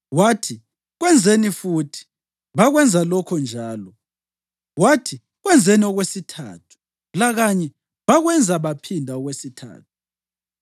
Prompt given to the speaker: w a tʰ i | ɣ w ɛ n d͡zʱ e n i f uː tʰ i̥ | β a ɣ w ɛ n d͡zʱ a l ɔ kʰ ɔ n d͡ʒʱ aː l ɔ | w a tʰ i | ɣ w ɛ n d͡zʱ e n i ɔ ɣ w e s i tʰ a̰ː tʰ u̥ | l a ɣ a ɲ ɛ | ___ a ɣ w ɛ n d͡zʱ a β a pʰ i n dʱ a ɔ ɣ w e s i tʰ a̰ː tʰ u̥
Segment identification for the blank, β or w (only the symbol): β